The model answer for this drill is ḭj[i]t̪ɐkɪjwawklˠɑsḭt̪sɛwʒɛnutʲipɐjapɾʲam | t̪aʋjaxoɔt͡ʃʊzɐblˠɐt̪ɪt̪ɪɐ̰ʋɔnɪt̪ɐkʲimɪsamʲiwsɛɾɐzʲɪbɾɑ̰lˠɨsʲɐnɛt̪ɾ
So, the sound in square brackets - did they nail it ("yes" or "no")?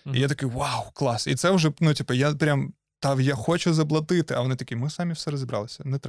no